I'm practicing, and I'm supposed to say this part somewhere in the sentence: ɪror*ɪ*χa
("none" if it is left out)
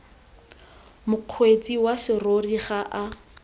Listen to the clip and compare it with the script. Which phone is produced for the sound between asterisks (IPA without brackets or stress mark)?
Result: i